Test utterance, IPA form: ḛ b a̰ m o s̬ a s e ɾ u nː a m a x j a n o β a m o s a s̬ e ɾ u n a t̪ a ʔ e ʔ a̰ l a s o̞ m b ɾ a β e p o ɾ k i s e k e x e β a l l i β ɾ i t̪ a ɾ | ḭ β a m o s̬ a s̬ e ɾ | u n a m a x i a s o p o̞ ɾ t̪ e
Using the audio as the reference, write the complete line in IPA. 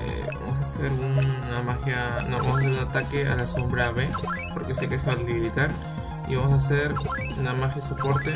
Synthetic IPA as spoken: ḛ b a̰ m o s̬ a s e ɾ u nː a m a x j a n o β a m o s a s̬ e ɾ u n a t̪ a k e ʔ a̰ l a s o̞ m b ɾ a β e p o ɾ k e s e k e s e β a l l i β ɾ i t̪ a ɾ | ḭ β a m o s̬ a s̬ e ɾ | u n a m a x j a s o p o̞ ɾ t̪ e